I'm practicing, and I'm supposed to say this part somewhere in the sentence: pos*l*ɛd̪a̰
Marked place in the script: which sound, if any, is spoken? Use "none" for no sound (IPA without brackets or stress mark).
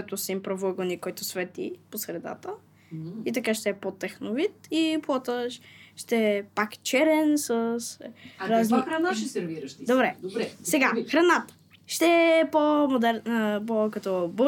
ɾ